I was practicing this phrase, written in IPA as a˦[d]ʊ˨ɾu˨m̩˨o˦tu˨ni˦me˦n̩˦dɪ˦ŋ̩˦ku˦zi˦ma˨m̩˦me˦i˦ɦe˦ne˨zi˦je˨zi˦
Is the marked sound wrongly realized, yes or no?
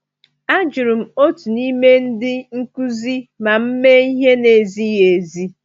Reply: yes